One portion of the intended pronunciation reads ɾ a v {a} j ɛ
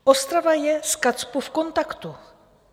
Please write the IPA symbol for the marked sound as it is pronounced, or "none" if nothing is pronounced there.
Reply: a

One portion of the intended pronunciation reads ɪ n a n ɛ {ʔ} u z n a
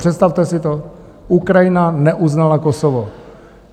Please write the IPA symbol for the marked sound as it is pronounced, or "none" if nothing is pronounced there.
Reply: ʔ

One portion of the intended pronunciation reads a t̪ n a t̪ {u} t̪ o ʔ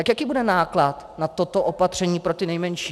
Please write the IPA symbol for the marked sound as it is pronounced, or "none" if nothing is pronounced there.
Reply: o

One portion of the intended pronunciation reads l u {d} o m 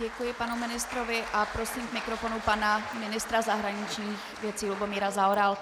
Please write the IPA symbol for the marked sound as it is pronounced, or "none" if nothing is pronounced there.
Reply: b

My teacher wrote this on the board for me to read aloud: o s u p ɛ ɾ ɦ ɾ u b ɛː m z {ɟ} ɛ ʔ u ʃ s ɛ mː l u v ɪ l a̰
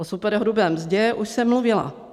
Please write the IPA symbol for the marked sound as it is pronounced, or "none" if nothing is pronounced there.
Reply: ɟ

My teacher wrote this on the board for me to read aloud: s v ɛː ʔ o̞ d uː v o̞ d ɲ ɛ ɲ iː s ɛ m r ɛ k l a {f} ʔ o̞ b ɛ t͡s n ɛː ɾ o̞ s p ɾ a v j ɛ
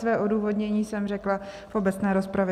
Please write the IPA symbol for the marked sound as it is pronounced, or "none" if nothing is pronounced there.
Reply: f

